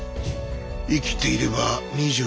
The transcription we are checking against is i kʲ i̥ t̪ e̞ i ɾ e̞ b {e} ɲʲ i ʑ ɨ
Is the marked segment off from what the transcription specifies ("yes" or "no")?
yes